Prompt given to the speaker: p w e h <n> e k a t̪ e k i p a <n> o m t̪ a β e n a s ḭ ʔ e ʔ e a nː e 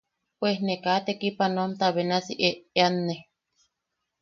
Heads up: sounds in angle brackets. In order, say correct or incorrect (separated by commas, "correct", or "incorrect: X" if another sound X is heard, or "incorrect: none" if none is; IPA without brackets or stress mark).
correct, correct